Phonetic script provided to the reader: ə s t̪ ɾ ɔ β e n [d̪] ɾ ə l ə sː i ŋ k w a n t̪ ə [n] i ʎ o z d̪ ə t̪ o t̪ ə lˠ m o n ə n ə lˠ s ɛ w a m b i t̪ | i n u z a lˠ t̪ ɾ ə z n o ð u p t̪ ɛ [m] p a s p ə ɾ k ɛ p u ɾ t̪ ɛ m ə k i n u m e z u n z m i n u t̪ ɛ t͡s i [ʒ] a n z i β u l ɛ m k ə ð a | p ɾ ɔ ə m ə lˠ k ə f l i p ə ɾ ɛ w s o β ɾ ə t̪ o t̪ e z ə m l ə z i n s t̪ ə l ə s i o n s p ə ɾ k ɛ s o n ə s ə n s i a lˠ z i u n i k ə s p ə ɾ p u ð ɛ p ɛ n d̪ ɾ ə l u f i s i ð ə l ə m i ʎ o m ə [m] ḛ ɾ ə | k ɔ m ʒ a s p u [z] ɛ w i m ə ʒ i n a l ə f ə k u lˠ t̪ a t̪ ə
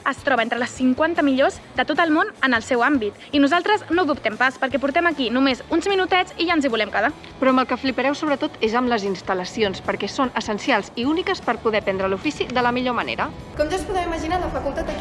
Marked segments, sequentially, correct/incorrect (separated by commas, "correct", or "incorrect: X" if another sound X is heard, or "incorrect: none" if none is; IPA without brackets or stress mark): incorrect: t̪, incorrect: m, correct, correct, incorrect: n, incorrect: ð